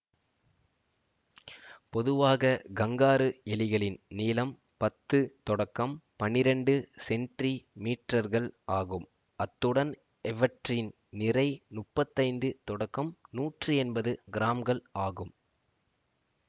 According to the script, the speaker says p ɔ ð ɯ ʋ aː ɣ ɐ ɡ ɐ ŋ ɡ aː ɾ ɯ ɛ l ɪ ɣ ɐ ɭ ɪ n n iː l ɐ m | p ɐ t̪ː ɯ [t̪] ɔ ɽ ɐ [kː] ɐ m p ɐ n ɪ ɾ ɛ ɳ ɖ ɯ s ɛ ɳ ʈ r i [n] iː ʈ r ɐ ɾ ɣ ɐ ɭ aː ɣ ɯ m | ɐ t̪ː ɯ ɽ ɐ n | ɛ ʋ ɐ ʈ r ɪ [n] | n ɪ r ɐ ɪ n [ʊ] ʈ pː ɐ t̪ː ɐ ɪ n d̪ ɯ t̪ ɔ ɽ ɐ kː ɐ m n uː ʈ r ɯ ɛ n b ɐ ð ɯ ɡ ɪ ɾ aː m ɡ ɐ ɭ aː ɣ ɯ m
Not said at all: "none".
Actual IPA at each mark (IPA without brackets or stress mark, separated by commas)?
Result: t̪, kː, m, n, ʊ